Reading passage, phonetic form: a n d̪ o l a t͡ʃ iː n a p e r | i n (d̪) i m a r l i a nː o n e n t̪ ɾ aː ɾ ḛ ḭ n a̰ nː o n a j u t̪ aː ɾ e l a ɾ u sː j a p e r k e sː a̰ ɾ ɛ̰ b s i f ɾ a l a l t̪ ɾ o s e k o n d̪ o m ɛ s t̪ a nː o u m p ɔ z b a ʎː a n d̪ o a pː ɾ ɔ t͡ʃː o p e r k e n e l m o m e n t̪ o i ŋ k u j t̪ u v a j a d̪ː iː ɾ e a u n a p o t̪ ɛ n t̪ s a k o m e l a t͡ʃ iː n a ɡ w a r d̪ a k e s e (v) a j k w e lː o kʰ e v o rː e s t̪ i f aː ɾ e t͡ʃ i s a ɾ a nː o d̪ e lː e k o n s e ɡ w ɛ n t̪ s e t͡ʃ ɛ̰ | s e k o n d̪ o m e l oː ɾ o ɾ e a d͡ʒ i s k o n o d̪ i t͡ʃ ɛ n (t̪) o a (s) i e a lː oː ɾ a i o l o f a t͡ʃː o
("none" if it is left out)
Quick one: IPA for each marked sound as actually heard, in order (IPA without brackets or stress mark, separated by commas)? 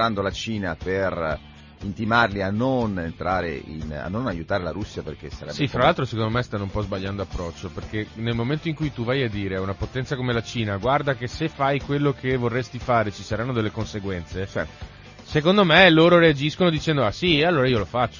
t̪, f, d̪, s